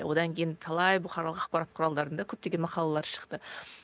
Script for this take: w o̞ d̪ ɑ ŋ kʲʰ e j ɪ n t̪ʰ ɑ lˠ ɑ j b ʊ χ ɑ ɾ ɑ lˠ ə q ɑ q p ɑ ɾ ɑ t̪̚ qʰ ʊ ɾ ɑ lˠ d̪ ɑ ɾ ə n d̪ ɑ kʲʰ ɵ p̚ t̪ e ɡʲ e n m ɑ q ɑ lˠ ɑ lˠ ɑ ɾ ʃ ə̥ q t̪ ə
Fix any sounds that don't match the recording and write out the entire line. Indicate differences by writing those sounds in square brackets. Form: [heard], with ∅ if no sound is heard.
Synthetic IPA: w o̞ d̪ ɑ ŋ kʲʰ e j ɪ n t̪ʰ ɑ lˠ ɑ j b ʊ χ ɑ ɾ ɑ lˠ ə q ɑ q p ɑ ɾ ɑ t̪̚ qʰ ʊ ɾ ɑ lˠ d̪ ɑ ɾ ə n d̪ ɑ kʲʰ ɵ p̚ t̪ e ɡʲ e n m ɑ q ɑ lˠ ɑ lˠ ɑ ɾ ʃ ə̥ q t̪ ə